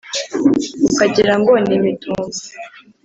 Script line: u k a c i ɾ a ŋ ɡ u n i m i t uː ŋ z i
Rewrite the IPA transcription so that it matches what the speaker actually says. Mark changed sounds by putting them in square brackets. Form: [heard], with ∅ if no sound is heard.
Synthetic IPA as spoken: u k a [ɟ] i ɾ a ŋ ɡ [o] n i m i t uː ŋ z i